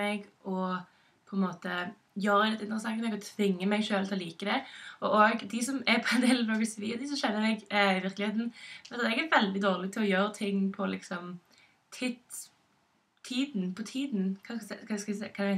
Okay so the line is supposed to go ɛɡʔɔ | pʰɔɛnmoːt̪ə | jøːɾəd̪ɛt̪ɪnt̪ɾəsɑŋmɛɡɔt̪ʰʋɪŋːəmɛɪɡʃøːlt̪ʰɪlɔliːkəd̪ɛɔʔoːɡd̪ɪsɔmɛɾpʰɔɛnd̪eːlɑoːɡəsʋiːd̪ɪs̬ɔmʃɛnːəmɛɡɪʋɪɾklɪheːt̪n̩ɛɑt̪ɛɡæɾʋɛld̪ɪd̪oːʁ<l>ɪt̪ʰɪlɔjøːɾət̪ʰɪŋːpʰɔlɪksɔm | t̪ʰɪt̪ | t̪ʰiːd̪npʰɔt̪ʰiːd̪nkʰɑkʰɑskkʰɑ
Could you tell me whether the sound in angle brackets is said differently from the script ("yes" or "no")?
no